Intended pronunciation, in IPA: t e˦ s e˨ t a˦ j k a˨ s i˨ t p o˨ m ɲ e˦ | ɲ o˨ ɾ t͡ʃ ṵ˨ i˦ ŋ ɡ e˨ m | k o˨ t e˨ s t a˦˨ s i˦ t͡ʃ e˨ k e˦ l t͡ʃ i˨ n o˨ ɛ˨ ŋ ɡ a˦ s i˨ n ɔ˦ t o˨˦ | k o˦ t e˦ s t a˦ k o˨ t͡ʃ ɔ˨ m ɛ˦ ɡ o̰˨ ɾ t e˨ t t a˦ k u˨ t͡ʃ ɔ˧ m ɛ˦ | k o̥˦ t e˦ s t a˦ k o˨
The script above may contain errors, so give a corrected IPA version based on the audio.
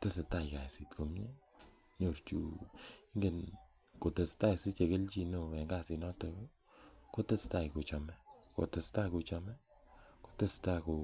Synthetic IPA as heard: t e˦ s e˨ t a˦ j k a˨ s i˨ t k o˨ m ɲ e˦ | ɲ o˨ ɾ t͡ʃ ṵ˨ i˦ ŋ ɡ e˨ n | k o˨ t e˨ s t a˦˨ s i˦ t͡ʃ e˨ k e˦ l t͡ʃ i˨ n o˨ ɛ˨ ŋ ɡ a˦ s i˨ n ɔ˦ t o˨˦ | k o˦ t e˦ s t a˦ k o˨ t͡ʃ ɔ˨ m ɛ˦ k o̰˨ t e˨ s t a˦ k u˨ t͡ʃ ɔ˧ m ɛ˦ | k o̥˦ t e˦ s t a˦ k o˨

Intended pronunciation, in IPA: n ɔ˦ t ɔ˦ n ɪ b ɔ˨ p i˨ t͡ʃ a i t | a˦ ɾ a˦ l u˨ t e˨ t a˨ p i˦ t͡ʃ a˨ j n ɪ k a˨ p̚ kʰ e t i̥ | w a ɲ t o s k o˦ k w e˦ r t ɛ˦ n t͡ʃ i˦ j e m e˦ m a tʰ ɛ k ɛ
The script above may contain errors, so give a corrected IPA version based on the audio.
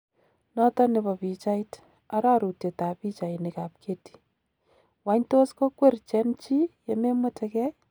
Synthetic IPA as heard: n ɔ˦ t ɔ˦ n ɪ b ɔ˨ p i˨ t͡ʃ a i t | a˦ ɾ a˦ ɾ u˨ t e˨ t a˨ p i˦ t͡ʃ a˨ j n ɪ k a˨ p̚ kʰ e t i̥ | w a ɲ t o s k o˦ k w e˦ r t͡ʃ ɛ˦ n t͡ʃ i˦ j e m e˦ m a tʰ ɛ k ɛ

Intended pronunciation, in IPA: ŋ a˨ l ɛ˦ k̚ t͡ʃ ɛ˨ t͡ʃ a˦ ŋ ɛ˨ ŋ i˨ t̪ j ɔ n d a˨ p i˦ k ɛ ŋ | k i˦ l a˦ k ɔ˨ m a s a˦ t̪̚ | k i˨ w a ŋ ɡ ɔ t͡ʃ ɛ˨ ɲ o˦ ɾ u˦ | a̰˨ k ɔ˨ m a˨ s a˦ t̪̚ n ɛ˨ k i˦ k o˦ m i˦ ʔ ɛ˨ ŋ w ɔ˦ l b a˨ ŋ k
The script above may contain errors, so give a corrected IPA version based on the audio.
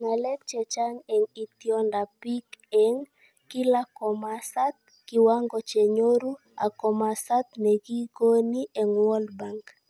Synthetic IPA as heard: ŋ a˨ l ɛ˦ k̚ t͡ʃ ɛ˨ t͡ʃ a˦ ŋ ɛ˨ ŋ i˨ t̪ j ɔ n d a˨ p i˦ k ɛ ŋ | k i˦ l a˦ k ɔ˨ m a s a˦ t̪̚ | k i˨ w a ŋ ɡ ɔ t͡ʃ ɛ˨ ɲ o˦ ɾ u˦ | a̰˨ k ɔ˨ m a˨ s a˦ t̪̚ n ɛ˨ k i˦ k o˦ n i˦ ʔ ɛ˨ ŋ w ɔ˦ l b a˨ ŋ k

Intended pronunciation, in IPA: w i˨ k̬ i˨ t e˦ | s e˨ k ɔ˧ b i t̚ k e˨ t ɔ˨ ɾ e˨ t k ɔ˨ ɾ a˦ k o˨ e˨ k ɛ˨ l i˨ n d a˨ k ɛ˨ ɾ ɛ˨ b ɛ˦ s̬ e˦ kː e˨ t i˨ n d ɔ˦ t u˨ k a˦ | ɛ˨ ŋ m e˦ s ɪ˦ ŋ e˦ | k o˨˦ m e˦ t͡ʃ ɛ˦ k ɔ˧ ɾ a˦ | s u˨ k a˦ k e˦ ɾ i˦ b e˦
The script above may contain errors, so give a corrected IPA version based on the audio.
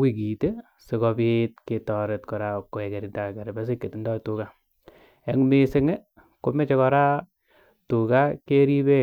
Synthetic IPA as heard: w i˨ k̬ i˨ t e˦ | s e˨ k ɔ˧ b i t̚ k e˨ t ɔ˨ ɾ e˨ t k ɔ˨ ɾ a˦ k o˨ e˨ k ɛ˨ ɾ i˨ n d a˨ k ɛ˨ ɾ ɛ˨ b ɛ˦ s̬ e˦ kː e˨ t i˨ n d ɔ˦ t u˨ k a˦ | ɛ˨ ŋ m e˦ s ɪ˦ ŋ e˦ | k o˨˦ m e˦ t͡ʃ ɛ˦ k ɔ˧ ɾ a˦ | t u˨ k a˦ k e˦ ɾ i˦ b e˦

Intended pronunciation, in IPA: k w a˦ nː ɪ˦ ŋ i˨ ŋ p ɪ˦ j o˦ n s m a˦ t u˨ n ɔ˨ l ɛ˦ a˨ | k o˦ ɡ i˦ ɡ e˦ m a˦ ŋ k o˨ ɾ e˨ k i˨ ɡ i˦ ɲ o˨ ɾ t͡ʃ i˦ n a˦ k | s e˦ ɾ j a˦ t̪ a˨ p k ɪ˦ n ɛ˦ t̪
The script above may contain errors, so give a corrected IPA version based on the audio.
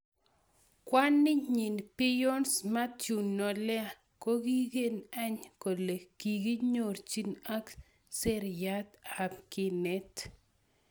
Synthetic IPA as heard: k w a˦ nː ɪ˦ ɲ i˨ n p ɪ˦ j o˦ n s m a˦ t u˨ n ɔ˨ l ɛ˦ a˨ | k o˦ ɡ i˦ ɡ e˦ n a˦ ɲ k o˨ l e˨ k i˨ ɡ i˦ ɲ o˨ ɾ t͡ʃ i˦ n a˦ k | s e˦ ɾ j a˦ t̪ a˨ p k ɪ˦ n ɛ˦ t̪

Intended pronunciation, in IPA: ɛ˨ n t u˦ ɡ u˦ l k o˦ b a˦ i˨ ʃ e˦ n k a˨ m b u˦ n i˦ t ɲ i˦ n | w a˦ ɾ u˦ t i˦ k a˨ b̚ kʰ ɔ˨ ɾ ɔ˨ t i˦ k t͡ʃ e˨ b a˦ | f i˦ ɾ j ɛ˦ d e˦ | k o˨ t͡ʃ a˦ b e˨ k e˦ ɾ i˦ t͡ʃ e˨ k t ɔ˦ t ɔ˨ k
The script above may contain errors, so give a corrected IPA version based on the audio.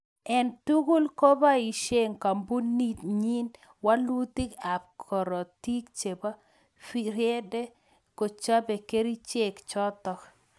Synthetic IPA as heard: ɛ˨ n t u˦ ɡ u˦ l k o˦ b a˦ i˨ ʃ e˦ ŋ k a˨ m b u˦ n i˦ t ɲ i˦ n | w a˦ l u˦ t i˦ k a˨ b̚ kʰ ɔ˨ ɾ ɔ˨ t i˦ k t͡ʃ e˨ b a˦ | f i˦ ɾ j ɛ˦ d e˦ | k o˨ t͡ʃ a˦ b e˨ k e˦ ɾ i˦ t͡ʃ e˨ k t͡ʃ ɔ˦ t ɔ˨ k

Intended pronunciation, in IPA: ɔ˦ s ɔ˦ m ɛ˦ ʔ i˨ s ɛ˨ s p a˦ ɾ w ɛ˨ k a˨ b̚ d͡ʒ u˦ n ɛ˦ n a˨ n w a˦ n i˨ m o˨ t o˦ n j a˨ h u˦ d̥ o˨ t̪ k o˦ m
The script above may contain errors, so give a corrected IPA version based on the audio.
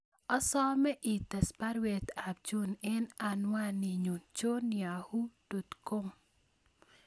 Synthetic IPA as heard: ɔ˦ s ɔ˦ m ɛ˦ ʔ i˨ t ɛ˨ s p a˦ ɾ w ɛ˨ t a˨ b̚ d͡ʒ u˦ n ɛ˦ n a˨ n w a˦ n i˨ ɲ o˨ t͡ʃ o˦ n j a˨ h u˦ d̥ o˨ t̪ k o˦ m

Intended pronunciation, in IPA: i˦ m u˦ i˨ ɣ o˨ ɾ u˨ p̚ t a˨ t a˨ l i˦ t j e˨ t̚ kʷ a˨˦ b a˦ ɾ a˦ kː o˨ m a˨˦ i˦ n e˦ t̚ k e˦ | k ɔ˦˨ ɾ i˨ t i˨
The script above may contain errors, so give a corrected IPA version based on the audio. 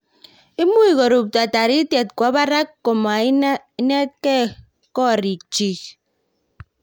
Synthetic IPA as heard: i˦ m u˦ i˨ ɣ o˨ ɾ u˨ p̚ t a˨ t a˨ ɾ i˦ t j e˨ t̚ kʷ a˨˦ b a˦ ɾ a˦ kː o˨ m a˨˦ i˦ n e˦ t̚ k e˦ | k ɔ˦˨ ɾ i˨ t͡ʃ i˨

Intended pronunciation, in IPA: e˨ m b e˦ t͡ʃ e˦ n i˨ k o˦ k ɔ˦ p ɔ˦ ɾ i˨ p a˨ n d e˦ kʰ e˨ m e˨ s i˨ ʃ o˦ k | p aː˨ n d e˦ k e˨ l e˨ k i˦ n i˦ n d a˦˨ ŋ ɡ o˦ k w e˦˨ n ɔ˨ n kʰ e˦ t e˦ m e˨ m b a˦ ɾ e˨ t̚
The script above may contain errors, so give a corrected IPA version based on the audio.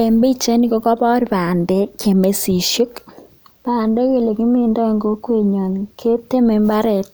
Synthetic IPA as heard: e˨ m b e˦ t͡ʃ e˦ n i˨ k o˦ k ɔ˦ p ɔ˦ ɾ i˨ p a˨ n d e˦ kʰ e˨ m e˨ s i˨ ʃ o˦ k | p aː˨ n d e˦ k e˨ l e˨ k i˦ m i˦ n d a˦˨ ŋ ɡ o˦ k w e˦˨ ɲ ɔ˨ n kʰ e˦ t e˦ m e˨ m b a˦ ɾ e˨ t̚

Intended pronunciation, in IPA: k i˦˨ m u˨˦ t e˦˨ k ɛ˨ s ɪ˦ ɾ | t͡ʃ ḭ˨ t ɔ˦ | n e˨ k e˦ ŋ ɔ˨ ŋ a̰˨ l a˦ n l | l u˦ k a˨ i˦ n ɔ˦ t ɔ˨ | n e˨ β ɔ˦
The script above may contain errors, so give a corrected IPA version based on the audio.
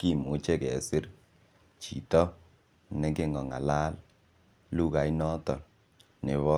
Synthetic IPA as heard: k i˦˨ m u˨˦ t͡ʃ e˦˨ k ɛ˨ s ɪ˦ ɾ | t͡ʃ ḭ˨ t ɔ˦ | n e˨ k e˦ ŋ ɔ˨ ŋ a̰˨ l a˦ l | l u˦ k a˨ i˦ n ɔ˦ t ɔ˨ | n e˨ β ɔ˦

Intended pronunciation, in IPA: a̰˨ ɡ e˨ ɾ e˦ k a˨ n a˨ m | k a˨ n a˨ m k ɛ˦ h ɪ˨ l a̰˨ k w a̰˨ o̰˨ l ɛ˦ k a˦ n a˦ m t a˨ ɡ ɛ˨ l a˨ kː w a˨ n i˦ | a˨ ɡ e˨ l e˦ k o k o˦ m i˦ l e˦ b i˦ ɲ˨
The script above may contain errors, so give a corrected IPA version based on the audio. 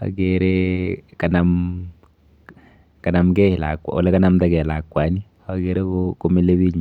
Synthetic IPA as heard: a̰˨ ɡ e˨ ɾ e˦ k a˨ n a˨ m | k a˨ n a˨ m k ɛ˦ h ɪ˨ l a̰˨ k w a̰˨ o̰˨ l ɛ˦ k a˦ n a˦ m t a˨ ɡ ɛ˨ l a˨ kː w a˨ n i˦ | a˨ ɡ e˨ ɾ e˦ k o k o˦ m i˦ l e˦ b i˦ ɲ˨

